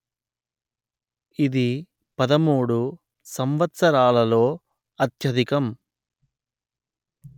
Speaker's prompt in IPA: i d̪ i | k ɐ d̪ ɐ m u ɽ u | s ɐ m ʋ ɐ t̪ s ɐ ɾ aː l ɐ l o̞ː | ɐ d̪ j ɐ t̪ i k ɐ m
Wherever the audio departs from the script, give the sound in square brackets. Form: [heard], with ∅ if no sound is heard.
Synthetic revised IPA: i d̪ i | [p] ɐ d̪ ɐ m [uː] ɽ u | s ɐ m ʋ ɐ t̪ s ɐ ɾ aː l ɐ l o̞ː | ɐ [t̪] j ɐ [d̪] i k ɐ m